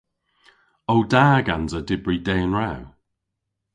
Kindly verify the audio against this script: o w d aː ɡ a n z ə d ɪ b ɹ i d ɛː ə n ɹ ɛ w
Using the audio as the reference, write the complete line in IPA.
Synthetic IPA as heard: o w d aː ɡ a n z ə d ɪ b ɹ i d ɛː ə n ɹ a w